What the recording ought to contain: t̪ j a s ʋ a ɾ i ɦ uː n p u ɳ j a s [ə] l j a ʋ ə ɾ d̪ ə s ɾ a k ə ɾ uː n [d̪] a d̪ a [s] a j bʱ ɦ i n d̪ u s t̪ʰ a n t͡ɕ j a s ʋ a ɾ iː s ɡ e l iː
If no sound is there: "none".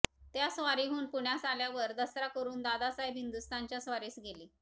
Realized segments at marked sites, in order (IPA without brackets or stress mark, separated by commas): a, d̪, s